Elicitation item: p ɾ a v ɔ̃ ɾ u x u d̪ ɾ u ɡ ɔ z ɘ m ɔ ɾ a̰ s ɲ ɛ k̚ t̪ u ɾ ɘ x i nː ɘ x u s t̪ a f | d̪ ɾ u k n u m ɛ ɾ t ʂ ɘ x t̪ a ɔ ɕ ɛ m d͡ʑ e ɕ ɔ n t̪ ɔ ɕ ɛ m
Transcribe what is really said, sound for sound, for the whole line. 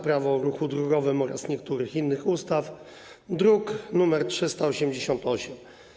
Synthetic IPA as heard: p ɾ a v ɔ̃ ɾ u x u d̪ ɾ u ɡ ɔ v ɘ m ɔ ɾ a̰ s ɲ ɛ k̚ t̪ u ɾ ɘ x i nː ɘ x u s t̪ a f | d̪ ɾ u k n u m ɛ ɾ t ʂ ɘ s t̪ a ɔ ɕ ɛ m d͡ʑ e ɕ ɔ n t̪ ɔ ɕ ɛ m